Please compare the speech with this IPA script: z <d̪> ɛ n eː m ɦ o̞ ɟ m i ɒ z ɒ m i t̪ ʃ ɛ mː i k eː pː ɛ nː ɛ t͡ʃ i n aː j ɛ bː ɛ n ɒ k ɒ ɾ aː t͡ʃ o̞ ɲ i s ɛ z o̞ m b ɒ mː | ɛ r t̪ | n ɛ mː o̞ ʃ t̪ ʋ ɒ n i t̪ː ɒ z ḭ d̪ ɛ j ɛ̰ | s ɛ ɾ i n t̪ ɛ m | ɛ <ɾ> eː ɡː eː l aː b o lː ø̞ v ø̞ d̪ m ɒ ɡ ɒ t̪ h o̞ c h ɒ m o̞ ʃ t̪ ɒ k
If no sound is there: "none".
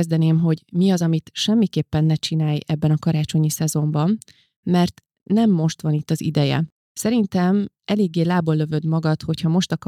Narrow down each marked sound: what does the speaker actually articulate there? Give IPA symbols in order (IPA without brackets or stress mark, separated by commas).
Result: d̪, l